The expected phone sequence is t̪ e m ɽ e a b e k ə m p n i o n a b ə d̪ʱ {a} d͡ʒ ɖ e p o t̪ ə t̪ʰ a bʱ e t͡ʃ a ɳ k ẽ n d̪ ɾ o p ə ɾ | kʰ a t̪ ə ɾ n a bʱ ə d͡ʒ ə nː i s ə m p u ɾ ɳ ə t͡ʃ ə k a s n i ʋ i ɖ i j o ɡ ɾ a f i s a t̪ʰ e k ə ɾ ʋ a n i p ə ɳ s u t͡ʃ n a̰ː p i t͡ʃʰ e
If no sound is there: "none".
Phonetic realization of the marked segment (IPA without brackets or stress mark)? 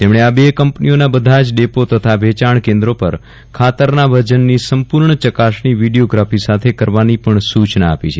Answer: a